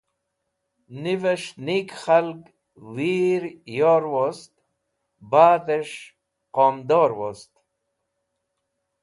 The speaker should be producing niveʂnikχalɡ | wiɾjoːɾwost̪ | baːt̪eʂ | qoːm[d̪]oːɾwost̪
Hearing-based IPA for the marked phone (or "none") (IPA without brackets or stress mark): d̪